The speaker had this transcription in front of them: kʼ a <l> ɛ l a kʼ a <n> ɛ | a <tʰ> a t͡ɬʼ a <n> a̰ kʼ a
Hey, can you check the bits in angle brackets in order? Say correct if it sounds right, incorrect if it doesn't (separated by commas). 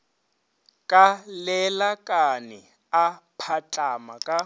correct, correct, incorrect, incorrect